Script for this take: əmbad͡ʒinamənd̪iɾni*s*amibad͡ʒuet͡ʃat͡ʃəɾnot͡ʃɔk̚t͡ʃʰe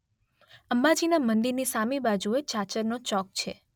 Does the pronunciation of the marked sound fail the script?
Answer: no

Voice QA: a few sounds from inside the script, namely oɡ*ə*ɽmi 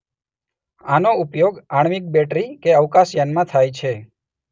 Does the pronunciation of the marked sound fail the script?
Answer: yes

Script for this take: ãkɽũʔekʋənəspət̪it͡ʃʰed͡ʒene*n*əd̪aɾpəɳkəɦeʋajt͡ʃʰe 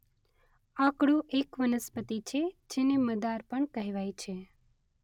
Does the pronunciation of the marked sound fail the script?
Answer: yes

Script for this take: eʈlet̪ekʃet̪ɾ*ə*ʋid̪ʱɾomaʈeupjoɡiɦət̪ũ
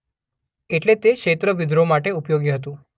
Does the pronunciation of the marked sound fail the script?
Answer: no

